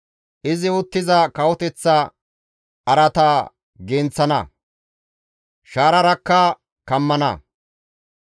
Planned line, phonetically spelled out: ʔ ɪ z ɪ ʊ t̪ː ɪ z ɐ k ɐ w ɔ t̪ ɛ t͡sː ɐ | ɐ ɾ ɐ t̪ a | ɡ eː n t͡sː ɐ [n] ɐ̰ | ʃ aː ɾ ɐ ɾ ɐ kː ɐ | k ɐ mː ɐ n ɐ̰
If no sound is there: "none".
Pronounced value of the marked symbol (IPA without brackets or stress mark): n